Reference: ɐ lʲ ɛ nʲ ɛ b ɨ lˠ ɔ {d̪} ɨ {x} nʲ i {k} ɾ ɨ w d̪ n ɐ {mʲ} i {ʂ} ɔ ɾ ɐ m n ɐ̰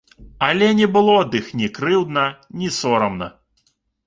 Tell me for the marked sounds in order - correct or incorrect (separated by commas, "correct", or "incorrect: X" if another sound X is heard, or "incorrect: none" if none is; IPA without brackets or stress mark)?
correct, correct, correct, incorrect: nʲ, incorrect: s